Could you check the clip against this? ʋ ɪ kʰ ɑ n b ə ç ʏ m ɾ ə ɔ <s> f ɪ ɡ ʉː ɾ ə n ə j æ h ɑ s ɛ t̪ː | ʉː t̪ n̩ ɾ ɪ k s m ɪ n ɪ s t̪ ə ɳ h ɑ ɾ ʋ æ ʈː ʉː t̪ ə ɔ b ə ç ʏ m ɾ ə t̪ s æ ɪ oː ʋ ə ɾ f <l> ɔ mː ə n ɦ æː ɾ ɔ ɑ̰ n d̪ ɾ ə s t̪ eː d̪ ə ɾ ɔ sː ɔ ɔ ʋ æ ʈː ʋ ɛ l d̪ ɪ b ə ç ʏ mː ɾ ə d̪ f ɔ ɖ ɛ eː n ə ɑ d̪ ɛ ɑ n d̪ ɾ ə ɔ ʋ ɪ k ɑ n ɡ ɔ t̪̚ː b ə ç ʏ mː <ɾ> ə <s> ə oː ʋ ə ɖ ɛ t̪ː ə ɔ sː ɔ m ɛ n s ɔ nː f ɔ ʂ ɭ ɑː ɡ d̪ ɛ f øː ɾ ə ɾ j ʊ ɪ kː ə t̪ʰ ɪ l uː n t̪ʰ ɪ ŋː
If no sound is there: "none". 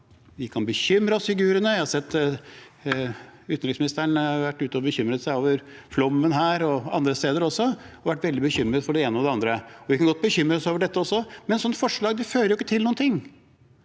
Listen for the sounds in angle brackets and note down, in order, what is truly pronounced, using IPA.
s, l, ɾ, s

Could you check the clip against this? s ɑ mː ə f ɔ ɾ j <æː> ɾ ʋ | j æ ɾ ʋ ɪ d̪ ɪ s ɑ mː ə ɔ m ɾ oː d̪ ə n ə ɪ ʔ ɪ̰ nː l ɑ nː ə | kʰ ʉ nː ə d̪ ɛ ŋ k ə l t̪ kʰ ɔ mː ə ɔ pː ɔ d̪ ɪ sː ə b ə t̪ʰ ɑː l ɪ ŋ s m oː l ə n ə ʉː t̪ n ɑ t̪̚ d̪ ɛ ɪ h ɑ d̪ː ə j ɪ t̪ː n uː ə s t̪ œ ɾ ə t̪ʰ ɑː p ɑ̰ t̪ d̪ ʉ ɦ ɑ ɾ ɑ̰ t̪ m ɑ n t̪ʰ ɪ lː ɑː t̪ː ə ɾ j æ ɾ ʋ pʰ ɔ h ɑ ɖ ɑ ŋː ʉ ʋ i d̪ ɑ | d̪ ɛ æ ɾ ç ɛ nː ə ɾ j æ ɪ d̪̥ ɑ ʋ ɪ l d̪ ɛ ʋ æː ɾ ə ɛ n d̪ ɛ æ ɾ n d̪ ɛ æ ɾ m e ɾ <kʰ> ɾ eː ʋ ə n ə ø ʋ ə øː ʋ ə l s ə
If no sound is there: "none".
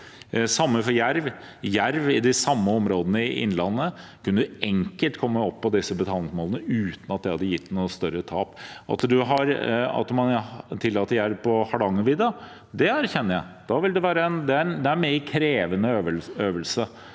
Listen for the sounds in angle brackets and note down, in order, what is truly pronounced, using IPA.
æ, kʰ

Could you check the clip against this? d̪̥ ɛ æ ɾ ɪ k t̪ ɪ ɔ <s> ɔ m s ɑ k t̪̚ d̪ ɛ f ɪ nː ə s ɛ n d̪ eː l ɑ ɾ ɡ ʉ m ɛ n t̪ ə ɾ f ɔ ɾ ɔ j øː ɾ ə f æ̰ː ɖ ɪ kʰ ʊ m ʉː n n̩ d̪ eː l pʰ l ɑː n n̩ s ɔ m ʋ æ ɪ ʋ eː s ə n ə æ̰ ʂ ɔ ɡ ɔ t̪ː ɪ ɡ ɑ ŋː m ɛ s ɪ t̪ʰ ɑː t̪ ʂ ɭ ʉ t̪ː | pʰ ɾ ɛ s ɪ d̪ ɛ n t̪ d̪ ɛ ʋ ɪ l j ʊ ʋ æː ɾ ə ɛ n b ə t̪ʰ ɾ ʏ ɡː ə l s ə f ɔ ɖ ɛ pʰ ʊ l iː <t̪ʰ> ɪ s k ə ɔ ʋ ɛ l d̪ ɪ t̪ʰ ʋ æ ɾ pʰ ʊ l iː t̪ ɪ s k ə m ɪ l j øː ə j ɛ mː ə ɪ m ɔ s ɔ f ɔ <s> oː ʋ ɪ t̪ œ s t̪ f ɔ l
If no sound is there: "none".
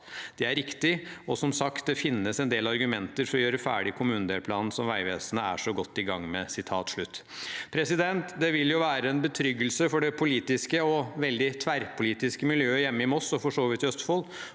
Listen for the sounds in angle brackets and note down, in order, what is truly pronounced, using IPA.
s, t̪, ʂ

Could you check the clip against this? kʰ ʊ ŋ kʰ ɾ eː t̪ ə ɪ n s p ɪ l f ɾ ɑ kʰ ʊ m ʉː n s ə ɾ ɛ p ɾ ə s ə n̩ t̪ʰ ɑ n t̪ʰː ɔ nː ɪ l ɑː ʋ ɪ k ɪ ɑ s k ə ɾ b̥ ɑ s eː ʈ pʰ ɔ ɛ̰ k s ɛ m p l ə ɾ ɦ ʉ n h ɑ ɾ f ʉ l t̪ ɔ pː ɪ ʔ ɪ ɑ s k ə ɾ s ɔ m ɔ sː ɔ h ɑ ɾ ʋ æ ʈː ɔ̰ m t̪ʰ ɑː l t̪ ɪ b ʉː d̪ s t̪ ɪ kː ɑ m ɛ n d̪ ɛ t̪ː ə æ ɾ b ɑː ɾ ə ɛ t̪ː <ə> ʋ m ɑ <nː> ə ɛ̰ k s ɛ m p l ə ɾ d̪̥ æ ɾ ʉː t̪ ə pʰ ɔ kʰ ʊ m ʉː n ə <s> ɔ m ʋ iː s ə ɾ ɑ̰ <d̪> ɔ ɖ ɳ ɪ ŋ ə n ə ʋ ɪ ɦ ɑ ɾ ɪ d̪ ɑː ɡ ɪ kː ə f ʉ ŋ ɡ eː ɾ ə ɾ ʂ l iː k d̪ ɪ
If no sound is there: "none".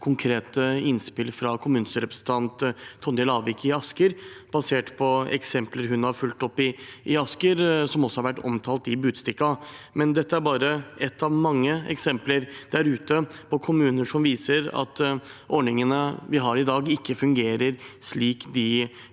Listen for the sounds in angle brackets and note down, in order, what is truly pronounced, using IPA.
ɑ, ŋː, ʂ, t̪

